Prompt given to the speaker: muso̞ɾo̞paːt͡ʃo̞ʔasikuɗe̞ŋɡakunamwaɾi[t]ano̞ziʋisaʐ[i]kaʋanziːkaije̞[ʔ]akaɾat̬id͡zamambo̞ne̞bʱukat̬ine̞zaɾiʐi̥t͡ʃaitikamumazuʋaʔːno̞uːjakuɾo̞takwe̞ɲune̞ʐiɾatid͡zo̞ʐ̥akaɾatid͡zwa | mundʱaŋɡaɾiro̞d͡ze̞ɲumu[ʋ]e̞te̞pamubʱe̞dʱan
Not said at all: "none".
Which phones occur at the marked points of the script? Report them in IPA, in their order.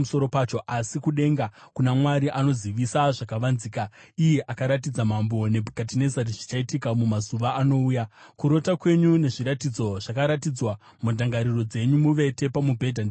ʔ, a, ʔ, ʋ

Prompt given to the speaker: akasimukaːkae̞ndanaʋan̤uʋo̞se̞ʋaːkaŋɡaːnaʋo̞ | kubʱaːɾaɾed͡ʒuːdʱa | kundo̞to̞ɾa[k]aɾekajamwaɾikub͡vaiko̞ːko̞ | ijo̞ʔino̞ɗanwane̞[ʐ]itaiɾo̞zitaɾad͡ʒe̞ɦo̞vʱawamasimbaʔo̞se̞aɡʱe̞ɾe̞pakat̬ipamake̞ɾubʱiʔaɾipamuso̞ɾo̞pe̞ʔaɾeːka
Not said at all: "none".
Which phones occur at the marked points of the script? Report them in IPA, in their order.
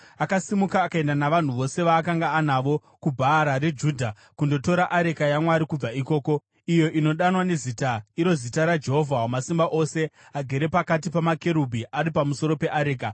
ʔ, z

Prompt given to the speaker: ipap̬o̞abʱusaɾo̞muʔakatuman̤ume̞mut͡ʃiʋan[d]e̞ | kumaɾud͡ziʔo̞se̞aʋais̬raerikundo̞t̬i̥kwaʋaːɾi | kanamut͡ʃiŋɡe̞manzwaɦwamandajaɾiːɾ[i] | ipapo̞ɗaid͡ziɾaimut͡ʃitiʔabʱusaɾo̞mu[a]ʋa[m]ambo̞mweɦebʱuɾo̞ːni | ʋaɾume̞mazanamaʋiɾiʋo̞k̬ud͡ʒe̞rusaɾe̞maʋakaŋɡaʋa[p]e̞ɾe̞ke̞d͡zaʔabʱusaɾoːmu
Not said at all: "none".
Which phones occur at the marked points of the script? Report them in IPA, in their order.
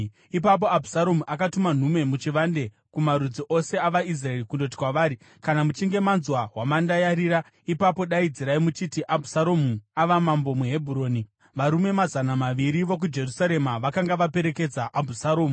d, a, a, m, p

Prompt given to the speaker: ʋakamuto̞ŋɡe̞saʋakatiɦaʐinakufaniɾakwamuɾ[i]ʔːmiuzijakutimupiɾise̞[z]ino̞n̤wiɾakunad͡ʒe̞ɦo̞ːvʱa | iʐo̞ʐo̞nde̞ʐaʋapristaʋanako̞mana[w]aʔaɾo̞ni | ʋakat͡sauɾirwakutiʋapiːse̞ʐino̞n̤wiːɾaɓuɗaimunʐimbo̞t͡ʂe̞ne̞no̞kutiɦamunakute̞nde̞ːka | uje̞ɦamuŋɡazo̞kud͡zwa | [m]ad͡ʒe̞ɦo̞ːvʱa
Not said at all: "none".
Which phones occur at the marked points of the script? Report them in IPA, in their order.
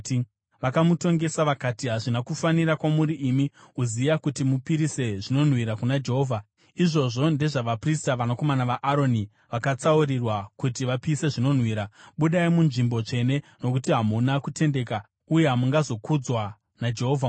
i, ʐ, ʋ, n

